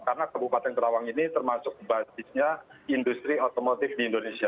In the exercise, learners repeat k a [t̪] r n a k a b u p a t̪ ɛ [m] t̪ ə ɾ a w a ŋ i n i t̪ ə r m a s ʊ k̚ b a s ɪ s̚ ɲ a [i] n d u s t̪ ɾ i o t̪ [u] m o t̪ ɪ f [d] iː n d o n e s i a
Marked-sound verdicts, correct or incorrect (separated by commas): incorrect, incorrect, correct, incorrect, correct